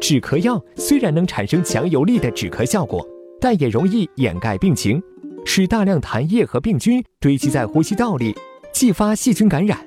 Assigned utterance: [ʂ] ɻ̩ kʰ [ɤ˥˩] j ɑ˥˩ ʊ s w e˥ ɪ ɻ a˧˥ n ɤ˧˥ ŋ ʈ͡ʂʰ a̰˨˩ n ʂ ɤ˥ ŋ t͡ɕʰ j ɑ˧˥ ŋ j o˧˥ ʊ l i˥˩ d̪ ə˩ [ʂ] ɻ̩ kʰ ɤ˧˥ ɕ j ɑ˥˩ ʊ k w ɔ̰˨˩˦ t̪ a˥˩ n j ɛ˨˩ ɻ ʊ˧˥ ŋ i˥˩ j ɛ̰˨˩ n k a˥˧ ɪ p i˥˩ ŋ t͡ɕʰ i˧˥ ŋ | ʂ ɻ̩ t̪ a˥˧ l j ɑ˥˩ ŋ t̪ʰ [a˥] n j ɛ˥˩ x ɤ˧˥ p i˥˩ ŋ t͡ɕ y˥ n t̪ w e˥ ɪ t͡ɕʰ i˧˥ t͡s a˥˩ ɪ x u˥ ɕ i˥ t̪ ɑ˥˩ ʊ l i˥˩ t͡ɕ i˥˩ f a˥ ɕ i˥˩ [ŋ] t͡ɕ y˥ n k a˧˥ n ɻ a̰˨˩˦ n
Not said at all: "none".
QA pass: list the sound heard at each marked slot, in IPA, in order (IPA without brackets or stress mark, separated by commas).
ʈ͡ʂ, ɤ˧˥, ʈ͡ʂ, a˧˥, none